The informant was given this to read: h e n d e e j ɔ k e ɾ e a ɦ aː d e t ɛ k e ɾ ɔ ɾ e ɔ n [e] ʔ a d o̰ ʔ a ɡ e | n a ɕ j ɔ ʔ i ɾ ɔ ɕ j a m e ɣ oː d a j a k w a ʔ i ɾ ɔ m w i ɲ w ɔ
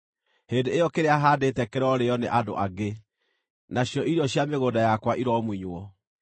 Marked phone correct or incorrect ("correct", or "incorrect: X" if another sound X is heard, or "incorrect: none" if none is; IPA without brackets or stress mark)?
correct